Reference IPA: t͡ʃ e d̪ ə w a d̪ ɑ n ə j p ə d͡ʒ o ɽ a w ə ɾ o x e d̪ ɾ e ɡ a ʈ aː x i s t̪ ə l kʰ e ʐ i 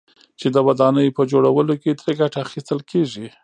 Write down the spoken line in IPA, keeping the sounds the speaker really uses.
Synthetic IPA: t͡ʃ e d̪ ə w a d̪ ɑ n ə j p ə d͡ʒ o ɽ a w ə l o k e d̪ ɾ e ɡ a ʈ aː x i s t̪ ə l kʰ e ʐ i